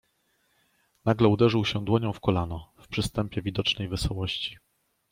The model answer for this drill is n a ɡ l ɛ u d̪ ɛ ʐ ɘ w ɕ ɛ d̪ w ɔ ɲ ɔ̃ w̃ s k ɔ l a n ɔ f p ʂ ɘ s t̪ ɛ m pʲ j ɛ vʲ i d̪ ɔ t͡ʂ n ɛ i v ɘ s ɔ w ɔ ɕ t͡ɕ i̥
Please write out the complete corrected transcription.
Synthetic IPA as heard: n a ɡ l ɛ u d̪ ɛ ʐ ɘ w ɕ ɛ d̪ w ɔ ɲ ɔ̃ w̃ f k ɔ l a n ɔ f p ʂ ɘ s t̪ ɛ m pʲ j ɛ vʲ i d̪ ɔ t͡ʂ n ɛ j v ɘ s ɔ w ɔ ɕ t͡ɕ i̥